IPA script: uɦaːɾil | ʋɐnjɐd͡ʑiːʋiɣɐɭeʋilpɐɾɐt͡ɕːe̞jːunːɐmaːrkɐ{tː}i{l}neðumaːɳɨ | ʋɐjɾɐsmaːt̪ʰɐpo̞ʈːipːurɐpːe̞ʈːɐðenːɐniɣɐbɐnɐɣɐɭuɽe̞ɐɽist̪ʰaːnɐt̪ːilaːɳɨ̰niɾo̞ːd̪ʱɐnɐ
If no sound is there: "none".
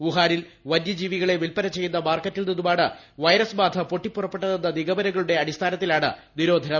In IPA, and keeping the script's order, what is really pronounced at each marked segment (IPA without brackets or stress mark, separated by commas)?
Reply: tː, l